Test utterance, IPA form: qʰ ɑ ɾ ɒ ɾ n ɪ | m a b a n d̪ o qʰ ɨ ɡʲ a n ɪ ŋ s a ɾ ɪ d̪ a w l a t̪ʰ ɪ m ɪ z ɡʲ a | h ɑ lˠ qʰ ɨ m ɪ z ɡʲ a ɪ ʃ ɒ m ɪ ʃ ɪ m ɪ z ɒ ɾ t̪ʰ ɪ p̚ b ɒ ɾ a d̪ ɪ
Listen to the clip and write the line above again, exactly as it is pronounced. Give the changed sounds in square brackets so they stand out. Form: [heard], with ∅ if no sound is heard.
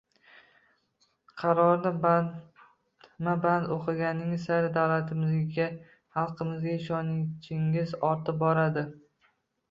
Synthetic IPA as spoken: qʰ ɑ ɾ ɒ ɾ n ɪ | m a b a n d̪ o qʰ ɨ ɡʲ a n ɪ ŋ s a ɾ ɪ d̪ a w l a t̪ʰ ɪ m ɪ z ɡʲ a | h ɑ lˠ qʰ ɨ m ɪ z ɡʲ a ɪ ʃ ɒ [n] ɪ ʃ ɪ [ŋ] ɪ z ɒ ɾ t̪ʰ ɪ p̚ b ɒ ɾ a d̪ ɪ